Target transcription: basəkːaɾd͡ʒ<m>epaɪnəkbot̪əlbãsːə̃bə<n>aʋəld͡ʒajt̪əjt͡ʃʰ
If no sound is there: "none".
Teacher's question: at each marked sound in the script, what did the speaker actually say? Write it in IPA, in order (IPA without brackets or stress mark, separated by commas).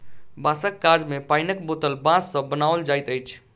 m, n